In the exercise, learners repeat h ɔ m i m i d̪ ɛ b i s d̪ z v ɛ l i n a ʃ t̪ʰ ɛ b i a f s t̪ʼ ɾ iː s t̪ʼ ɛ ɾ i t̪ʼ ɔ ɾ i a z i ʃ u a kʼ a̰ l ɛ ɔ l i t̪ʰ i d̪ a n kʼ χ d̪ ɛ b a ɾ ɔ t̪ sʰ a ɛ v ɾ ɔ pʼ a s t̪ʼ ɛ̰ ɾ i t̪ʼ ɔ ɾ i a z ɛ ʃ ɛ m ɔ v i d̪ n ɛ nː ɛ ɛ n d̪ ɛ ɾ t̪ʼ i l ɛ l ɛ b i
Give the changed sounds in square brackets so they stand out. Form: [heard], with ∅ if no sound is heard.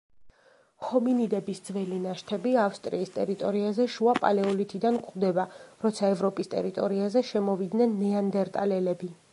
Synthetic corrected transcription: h ɔ m i [n] i d̪ ɛ b i s d̪ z v ɛ l i n a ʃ t̪ʰ ɛ b i a f s t̪ʼ ɾ iː s t̪ʼ ɛ ɾ i t̪ʼ ɔ ɾ i a z [ɛ] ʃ u a [pʼ] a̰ l ɛ ɔ l i t̪ʰ i d̪ a n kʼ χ d̪ ɛ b a ɾ ɔ t̪ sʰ a ɛ v ɾ ɔ pʼ [i] s t̪ʼ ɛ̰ ɾ i t̪ʼ ɔ ɾ i a z ɛ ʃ ɛ m ɔ v i d̪ n ɛ nː ɛ [a] n d̪ ɛ ɾ t̪ʼ [a] l ɛ l ɛ b i